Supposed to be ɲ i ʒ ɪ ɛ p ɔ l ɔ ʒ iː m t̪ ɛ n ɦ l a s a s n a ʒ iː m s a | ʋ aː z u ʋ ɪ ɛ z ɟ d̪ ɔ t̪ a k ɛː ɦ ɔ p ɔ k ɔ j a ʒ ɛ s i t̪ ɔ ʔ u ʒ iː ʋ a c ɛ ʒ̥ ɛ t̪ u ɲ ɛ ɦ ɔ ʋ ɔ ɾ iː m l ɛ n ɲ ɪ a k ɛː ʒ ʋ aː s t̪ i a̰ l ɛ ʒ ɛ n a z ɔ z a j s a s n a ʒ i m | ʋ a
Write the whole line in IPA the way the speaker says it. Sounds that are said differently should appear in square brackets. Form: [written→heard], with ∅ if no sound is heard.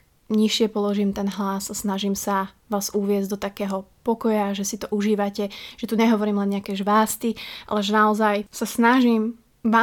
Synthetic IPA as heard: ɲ i [ʒ→ʃ] ɪ ɛ p ɔ l ɔ ʒ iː m t̪ ɛ n ɦ l a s a s n a ʒ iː m s a | ʋ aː z u ʋ ɪ ɛ z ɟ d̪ ɔ t̪ a k ɛː ɦ ɔ p ɔ k ɔ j a ʒ ɛ s i t̪ ɔ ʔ u ʒ iː ʋ a c ɛ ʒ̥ ɛ t̪ u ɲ ɛ ɦ ɔ ʋ ɔ ɾ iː m l ɛ n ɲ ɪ a k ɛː ʒ ʋ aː s t̪ i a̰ l ɛ ʒ ɛ n a [z→∅] ɔ z a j s a s n a ʒ i m | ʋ a